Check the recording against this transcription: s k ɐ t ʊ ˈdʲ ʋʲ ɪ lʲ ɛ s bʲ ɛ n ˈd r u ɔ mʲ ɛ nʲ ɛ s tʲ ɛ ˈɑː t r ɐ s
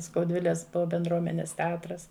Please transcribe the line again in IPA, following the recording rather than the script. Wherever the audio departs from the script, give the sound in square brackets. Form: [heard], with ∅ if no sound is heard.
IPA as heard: s k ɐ [∅] ʊ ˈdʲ ʋʲ ɪ lʲ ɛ s bʲ ɛ n ˈd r u ɔ mʲ ɛ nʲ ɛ s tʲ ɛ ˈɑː t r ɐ s